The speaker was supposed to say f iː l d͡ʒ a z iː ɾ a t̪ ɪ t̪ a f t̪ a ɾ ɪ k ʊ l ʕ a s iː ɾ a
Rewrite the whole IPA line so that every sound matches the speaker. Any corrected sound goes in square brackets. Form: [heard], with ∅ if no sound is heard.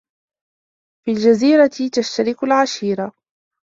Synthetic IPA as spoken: f iː l d͡ʒ a z iː ɾ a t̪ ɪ t̪ a [ʃ] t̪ a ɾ ɪ k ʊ l ʕ a [ʃ] iː ɾ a